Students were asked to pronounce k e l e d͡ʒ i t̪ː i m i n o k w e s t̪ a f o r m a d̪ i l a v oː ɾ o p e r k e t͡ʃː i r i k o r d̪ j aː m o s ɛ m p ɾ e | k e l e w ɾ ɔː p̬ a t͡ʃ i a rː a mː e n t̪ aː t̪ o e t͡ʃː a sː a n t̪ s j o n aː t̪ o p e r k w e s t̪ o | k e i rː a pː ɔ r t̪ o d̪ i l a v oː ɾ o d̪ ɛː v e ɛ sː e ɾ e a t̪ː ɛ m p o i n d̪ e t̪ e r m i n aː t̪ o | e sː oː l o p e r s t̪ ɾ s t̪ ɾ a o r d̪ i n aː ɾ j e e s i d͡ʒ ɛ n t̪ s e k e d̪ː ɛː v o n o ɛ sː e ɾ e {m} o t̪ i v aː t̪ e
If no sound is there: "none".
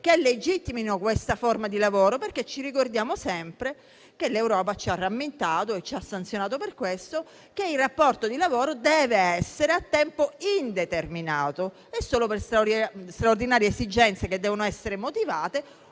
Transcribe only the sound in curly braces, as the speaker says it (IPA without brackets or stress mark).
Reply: m